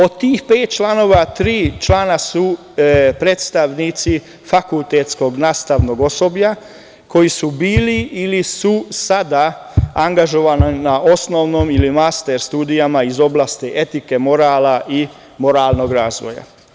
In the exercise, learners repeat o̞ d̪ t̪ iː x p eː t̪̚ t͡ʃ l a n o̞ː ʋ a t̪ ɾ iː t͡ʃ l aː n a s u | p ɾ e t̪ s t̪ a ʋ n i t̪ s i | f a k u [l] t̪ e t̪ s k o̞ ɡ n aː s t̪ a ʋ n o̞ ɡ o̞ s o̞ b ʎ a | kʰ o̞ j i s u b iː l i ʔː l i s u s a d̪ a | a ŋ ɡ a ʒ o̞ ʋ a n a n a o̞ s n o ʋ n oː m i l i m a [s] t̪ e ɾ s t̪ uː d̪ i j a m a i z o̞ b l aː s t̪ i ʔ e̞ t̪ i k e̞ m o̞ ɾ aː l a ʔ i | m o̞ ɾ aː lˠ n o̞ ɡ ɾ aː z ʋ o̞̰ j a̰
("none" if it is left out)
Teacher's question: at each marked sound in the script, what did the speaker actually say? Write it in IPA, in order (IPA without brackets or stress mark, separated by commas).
l, s